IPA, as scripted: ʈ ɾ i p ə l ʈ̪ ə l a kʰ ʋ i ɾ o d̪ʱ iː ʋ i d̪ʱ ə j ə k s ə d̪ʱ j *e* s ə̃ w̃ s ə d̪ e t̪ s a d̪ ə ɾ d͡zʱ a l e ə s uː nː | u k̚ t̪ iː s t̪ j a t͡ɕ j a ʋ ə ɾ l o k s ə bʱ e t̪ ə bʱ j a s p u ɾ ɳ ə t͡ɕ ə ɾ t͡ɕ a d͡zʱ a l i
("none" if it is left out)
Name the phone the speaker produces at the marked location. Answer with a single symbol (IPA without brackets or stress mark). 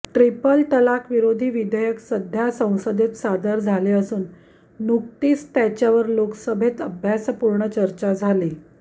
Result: a